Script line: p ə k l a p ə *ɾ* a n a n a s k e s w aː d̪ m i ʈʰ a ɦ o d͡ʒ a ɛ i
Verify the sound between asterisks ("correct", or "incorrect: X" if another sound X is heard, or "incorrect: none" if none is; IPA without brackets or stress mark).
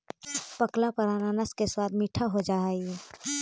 correct